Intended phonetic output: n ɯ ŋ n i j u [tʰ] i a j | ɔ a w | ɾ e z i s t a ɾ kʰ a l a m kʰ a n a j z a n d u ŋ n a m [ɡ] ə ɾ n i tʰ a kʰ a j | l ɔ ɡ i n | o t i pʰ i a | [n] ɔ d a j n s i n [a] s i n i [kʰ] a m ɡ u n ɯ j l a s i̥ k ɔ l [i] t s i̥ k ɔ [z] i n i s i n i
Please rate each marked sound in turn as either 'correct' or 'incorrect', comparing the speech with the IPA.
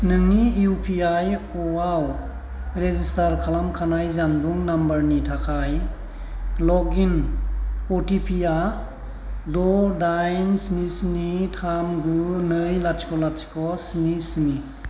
incorrect, incorrect, incorrect, incorrect, incorrect, incorrect, incorrect

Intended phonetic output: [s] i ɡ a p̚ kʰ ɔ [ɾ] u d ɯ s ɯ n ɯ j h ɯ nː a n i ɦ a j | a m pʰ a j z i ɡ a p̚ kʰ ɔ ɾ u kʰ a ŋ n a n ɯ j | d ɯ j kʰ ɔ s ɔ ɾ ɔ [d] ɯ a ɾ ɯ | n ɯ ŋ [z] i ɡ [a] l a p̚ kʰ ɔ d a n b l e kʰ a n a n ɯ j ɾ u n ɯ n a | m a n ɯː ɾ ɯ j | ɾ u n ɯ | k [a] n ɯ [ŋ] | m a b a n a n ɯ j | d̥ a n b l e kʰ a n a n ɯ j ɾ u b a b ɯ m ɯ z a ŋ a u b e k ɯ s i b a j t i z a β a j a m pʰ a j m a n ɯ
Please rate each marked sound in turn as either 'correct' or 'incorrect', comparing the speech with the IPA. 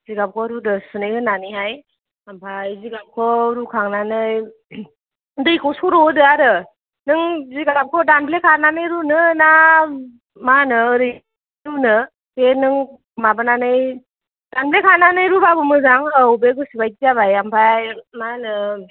incorrect, correct, correct, correct, correct, incorrect, correct

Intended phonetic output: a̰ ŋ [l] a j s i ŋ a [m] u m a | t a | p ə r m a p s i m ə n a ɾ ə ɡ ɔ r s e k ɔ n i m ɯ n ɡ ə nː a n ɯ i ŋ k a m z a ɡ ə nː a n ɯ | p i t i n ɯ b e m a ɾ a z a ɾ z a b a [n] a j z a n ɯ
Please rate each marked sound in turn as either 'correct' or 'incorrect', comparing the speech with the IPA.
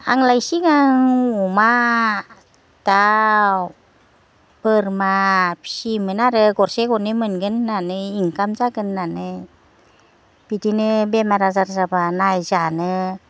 correct, incorrect, correct

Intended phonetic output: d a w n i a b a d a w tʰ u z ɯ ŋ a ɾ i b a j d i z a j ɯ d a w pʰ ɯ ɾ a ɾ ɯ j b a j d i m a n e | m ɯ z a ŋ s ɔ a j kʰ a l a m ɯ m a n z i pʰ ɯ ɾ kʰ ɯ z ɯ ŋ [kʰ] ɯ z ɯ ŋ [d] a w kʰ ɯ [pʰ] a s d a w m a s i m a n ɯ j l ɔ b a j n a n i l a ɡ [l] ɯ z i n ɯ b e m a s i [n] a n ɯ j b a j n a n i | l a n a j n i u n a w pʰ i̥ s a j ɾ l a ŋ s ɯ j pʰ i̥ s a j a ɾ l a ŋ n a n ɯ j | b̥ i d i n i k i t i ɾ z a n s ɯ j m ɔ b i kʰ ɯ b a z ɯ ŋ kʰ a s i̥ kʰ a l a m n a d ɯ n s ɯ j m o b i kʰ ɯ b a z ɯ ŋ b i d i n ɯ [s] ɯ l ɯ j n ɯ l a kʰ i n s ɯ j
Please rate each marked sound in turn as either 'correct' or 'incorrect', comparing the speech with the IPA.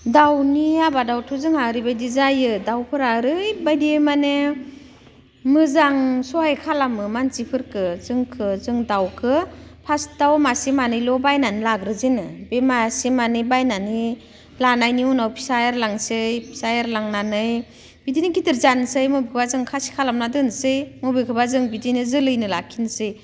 correct, correct, correct, incorrect, incorrect, incorrect

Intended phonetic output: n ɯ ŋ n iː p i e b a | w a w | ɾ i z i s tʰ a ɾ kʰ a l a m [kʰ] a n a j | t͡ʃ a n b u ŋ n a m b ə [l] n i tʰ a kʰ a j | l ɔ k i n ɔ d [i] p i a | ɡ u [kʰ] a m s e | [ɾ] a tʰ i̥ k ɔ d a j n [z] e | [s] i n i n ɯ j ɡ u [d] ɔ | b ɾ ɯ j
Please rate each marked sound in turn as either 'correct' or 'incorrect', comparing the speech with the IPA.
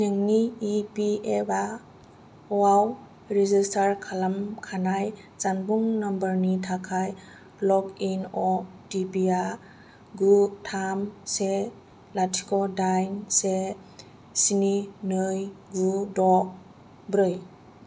correct, incorrect, correct, incorrect, incorrect, incorrect, correct, correct

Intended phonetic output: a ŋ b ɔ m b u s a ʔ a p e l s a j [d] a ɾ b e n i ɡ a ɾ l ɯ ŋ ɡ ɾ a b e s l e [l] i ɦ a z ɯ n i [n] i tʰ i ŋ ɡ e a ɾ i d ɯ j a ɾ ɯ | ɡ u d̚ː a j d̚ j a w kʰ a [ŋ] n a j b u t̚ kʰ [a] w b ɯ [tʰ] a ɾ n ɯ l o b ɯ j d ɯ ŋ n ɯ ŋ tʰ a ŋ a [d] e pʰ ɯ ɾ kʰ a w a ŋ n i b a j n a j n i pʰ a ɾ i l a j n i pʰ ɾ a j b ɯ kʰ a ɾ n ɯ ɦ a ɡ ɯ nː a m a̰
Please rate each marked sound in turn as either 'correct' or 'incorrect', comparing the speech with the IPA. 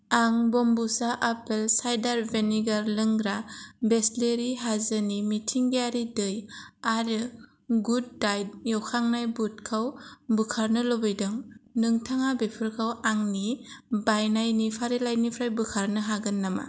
correct, incorrect, incorrect, correct, correct, incorrect, incorrect

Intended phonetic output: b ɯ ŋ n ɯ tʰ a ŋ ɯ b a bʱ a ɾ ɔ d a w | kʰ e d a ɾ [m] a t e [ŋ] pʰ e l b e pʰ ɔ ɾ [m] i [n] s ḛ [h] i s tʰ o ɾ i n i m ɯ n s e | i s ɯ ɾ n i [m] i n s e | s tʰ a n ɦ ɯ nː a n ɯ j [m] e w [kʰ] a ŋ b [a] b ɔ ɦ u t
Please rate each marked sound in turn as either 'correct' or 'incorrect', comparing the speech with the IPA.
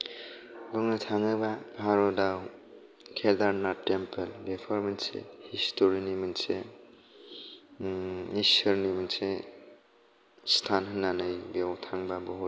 incorrect, incorrect, correct, correct, correct, correct, incorrect, incorrect, correct

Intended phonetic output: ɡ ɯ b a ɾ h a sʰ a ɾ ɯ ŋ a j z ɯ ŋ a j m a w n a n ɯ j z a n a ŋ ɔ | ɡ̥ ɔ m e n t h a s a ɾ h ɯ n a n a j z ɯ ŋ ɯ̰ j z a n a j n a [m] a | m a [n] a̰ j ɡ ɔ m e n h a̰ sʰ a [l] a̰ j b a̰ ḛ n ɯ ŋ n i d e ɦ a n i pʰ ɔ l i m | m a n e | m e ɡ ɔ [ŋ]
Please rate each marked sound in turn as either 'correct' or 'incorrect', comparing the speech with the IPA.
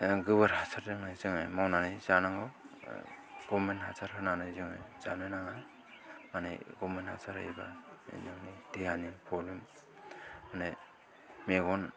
incorrect, correct, incorrect, incorrect

